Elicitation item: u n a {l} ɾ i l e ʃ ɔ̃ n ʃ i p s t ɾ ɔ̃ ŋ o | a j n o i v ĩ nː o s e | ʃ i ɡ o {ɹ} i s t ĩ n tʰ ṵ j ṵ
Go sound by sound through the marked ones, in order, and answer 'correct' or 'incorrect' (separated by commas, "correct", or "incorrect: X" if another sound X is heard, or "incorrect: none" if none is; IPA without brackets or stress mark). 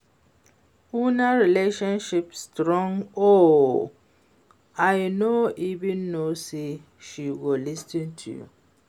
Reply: incorrect: none, incorrect: l